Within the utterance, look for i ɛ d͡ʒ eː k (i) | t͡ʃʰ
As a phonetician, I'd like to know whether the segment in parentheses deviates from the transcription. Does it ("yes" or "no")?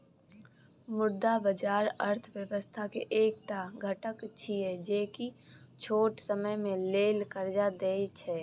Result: no